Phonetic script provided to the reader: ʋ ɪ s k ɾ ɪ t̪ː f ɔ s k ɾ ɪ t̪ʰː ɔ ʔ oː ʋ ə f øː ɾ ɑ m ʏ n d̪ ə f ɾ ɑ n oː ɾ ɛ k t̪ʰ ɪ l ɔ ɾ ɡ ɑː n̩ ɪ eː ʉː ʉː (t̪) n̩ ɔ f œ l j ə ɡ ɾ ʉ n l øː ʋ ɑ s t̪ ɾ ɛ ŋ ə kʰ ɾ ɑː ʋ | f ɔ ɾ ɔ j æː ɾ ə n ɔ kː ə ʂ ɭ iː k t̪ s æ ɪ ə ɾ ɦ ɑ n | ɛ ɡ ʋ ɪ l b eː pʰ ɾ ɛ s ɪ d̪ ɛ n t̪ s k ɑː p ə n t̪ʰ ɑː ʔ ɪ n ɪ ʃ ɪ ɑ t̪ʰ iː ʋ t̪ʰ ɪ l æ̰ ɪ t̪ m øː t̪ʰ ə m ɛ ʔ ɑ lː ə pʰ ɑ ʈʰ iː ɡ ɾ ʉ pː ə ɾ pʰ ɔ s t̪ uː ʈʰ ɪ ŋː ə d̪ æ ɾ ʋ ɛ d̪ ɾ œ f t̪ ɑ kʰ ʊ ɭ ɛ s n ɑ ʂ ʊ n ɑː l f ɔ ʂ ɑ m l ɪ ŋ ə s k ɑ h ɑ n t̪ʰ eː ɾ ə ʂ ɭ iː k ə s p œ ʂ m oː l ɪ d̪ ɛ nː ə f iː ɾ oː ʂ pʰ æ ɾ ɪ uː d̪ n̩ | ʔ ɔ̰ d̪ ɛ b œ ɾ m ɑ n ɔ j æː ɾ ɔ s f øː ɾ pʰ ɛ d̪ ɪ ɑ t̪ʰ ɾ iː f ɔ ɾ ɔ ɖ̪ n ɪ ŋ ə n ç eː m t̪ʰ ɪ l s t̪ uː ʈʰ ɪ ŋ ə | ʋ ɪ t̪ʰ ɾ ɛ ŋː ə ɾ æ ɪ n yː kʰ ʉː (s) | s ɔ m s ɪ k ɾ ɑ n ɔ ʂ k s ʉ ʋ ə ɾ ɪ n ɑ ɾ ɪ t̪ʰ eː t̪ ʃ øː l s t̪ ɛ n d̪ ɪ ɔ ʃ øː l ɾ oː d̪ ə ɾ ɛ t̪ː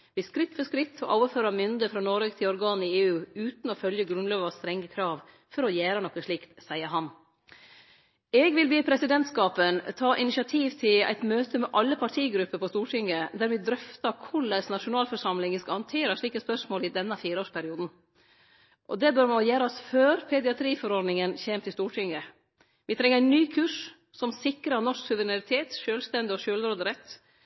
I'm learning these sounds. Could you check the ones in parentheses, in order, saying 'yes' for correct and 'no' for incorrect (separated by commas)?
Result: yes, no